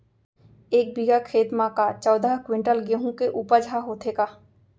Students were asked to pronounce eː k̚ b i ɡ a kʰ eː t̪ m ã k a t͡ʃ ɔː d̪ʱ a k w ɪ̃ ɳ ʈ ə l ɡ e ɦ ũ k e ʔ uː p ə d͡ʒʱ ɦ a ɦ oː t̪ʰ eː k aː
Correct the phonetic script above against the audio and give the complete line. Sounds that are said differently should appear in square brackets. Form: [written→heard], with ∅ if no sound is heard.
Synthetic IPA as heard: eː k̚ b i ɡ a kʰ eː t̪ m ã k a t͡ʃ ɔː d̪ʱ a k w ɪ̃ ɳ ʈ ə l ɡ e ɦ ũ k e ʔ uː p ə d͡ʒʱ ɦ a ɦ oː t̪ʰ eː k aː